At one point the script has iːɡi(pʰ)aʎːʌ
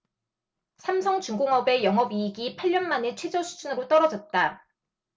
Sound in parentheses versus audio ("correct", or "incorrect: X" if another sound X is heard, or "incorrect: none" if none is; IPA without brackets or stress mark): correct